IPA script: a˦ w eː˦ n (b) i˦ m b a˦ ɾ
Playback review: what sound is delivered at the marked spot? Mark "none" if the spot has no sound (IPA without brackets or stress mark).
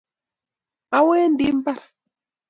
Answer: d